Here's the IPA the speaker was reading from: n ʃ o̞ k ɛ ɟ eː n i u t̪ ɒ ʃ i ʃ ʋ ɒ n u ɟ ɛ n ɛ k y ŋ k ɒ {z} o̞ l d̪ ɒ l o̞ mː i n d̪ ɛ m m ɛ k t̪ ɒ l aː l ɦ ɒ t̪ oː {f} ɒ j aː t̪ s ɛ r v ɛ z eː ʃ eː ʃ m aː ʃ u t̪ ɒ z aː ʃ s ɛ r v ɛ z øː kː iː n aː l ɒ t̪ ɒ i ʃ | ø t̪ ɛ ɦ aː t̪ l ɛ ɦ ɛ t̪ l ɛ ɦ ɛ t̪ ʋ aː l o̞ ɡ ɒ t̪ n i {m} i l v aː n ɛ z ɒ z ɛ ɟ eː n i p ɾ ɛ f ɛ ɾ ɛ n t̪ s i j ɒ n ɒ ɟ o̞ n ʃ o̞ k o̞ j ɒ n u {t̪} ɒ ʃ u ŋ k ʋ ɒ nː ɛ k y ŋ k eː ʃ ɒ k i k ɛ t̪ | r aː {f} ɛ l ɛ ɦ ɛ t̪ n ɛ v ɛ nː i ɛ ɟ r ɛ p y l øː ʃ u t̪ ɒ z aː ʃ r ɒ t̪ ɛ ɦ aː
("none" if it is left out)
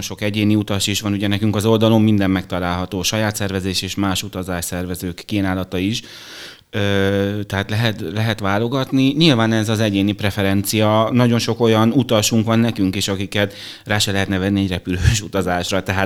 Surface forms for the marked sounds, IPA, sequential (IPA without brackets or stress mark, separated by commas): z, ʃ, ɲ, t̪, ʃ